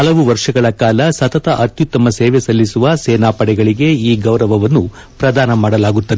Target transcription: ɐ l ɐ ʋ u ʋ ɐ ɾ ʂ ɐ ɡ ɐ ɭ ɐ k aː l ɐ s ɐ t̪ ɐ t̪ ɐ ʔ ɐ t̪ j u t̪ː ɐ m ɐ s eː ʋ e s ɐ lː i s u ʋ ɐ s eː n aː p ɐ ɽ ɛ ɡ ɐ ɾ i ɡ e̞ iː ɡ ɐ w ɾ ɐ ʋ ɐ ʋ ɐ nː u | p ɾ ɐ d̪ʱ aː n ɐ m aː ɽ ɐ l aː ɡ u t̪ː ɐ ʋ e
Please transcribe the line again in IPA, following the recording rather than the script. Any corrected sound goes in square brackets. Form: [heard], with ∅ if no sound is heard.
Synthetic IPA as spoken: ɐ l ɐ ʋ u ʋ ɐ ɾ ʂ ɐ ɡ ɐ ɭ ɐ k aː l ɐ s ɐ t̪ ɐ t̪ ɐ ʔ ɐ t̪ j u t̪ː ɐ m ɐ s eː ʋ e s ɐ lː i s u ʋ ɐ s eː n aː p ɐ ɽ ɛ ɡ ɐ [ɭ] i ɡ e̞ iː ɡ ɐ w ɾ ɐ ʋ ɐ ʋ ɐ nː u | p ɾ ɐ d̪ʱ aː n ɐ m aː ɽ ɐ l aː ɡ u t̪ː ɐ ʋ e